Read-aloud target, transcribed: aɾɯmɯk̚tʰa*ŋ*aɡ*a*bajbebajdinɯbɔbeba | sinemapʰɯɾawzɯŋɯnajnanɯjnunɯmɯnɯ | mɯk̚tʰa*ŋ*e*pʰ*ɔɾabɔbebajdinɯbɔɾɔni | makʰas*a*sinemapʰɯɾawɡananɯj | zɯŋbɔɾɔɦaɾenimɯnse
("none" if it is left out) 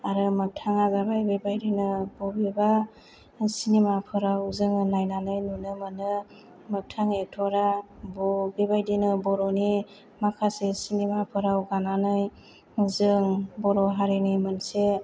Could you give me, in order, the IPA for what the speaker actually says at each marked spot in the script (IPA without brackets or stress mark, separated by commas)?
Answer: ŋ, a, ŋ, tʰ, e